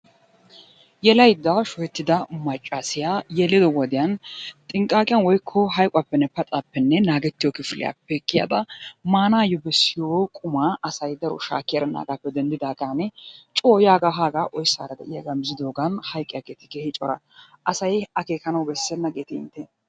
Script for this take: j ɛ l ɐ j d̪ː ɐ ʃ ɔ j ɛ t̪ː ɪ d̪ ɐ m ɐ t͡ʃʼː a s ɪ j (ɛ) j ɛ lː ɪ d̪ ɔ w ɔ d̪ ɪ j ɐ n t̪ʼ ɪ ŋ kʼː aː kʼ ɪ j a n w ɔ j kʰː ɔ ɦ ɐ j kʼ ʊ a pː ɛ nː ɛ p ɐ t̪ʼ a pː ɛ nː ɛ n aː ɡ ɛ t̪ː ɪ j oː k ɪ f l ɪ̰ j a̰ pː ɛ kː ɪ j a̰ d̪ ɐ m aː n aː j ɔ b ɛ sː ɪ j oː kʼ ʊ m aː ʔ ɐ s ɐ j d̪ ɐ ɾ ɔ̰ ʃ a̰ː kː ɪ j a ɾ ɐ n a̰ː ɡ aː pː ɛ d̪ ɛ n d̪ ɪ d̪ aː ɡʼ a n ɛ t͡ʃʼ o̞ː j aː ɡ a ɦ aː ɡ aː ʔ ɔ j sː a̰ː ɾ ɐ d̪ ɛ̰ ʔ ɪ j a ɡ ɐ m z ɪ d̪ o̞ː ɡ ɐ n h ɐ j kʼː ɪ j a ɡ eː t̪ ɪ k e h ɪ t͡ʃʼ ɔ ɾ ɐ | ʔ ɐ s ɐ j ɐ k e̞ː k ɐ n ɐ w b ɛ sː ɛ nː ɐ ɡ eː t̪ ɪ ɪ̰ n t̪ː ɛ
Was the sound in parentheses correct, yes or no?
no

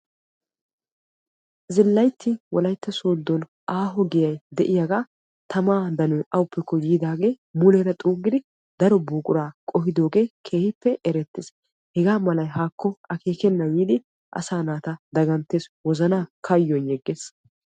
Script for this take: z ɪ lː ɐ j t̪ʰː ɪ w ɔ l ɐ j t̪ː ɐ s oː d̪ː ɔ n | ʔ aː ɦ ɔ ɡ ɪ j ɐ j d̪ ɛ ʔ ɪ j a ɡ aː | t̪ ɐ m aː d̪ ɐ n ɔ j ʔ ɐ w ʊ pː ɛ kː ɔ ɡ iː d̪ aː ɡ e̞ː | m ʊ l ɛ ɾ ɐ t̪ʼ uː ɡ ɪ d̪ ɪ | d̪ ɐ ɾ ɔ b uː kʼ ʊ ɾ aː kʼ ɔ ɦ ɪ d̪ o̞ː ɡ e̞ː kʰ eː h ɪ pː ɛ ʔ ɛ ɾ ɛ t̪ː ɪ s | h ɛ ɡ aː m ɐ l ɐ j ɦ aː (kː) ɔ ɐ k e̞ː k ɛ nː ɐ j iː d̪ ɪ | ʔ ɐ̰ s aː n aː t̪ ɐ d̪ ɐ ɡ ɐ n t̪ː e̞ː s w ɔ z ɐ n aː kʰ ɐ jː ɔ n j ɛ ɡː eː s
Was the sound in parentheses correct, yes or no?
yes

